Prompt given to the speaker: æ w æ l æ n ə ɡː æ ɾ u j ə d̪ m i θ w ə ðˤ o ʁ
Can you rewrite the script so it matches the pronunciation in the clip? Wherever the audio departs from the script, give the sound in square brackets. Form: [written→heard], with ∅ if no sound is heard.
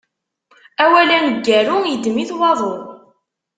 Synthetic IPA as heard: æ w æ l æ n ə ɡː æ ɾ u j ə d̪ m i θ w [ə→ɑ] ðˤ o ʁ